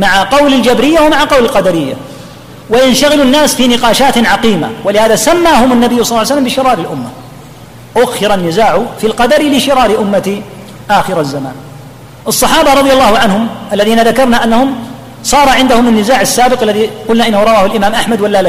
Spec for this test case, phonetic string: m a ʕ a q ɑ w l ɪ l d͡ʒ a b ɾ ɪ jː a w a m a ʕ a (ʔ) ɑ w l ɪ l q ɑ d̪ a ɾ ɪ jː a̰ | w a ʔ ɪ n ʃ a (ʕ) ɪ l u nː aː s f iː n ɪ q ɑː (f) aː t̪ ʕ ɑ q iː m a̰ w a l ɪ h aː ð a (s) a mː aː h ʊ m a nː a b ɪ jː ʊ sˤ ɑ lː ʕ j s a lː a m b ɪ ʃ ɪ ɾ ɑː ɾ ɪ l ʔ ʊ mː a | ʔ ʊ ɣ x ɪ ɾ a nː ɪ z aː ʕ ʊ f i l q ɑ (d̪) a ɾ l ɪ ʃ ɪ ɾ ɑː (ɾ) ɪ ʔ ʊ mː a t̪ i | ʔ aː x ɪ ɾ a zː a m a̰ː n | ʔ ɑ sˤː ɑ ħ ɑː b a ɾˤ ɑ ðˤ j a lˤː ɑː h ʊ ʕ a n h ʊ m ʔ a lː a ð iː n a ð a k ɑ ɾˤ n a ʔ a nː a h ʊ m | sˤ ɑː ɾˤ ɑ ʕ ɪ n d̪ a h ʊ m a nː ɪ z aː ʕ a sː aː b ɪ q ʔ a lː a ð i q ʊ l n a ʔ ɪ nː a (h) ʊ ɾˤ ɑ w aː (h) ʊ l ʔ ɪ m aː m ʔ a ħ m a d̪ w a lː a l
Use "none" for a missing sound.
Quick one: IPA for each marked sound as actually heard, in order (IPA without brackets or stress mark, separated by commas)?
q, ɣ, ʃ, s, d̪, ɾ, h, h